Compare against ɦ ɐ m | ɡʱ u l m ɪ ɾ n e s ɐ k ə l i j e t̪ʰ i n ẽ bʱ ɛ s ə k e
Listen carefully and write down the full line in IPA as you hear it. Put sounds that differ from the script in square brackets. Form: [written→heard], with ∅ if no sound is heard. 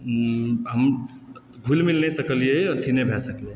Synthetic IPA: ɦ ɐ m | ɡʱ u l m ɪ [ɾ→l] n e s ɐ k ə l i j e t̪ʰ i n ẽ bʱ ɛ s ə k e